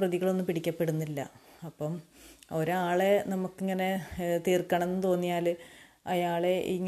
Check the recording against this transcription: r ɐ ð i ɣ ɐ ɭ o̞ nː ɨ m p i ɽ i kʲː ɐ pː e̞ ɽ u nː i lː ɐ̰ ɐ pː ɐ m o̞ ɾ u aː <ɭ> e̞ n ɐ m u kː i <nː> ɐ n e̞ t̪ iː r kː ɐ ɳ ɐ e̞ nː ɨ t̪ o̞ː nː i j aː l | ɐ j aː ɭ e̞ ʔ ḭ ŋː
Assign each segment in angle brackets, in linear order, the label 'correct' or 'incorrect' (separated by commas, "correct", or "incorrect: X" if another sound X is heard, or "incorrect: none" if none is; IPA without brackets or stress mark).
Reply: correct, incorrect: ŋː